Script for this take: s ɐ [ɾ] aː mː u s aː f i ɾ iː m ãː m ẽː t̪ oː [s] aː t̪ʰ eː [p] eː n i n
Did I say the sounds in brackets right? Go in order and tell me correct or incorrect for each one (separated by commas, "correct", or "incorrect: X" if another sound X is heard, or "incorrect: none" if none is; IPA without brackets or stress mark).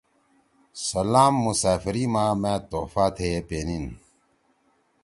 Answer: incorrect: l, incorrect: f, correct